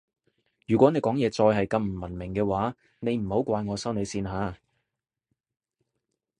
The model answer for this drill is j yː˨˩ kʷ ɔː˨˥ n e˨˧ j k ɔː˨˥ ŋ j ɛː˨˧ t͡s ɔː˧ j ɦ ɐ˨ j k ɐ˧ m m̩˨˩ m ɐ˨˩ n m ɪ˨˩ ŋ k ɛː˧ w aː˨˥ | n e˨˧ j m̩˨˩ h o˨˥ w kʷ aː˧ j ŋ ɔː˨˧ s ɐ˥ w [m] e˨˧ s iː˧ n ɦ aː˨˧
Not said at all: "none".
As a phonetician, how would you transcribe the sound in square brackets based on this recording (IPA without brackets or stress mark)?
n